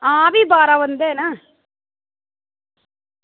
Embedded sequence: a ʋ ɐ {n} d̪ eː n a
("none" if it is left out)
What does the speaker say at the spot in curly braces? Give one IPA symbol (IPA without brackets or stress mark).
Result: n